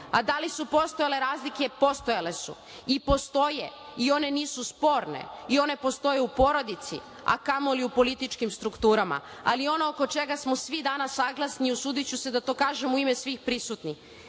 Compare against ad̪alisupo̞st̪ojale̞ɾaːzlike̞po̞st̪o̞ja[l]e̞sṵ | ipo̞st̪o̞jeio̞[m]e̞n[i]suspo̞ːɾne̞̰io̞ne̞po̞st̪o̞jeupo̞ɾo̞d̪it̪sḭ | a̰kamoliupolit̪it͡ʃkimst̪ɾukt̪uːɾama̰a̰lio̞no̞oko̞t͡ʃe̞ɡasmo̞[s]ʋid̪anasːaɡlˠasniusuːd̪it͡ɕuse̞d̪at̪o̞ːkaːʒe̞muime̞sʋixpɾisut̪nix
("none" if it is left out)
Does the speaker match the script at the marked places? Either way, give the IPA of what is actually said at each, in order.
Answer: l, n, iː, s

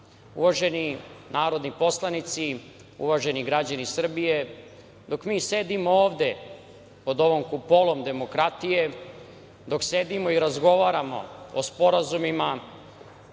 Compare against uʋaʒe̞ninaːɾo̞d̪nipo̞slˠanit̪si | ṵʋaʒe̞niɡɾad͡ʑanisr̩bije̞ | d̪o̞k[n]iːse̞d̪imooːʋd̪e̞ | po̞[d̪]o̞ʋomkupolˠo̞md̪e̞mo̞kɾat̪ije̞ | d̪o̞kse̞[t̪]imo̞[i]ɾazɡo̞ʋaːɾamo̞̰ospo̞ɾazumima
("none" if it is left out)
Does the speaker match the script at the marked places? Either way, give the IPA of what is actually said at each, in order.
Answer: m, d̪, d̪, i

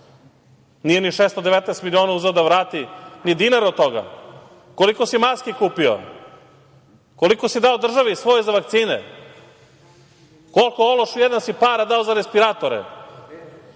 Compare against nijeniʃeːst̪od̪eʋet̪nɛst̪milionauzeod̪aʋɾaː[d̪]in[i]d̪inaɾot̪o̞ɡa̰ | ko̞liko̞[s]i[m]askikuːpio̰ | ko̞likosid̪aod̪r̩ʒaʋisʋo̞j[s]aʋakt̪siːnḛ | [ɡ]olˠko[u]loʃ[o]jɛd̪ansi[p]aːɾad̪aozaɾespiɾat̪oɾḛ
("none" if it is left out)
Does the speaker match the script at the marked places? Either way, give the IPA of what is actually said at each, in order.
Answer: t̪, i, s, m, z, k, o, u, p

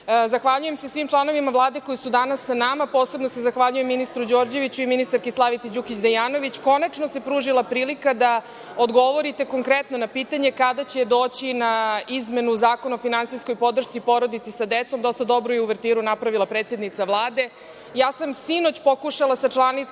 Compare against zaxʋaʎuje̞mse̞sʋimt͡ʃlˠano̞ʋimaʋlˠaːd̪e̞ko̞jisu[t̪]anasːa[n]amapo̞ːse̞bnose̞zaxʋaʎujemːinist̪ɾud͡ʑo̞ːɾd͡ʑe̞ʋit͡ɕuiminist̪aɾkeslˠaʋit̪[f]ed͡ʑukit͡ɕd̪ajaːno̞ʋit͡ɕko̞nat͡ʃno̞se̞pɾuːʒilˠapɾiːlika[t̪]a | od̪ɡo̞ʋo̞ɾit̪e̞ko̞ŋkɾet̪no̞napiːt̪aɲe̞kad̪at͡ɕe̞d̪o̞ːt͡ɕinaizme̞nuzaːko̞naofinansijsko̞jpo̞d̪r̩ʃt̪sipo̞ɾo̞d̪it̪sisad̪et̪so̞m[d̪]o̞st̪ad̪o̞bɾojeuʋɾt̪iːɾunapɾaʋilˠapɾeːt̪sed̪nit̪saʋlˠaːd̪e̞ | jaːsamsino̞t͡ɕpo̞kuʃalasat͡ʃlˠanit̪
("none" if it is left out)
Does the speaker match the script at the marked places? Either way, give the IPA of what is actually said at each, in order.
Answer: d̪, n, s, d̪, d̪

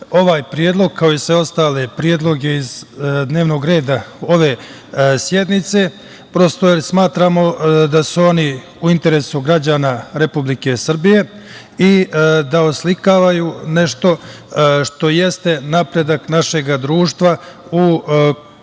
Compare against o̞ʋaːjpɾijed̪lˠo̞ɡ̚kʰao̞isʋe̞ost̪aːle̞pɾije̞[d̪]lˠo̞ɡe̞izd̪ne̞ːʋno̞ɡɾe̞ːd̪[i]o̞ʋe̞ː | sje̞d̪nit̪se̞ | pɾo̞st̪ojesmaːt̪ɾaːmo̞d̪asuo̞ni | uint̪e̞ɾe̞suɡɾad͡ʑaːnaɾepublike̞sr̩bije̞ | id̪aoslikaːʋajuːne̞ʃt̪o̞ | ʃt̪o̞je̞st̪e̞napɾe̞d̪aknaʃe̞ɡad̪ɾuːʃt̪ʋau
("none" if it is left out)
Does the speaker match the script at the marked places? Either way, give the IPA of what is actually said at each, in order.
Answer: d̪, a

